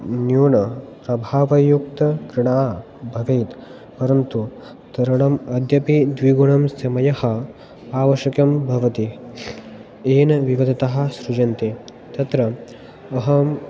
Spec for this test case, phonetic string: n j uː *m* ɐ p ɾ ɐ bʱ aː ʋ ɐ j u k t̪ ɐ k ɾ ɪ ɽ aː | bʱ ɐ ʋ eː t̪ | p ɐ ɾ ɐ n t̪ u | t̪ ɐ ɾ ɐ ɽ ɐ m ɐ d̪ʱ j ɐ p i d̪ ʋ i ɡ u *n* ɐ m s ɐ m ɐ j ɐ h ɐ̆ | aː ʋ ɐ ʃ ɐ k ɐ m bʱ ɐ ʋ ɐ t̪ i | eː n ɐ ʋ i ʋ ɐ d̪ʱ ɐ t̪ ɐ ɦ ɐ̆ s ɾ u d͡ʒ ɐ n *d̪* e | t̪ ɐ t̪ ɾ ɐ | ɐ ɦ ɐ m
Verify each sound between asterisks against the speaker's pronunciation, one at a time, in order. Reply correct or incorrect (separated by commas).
incorrect, incorrect, incorrect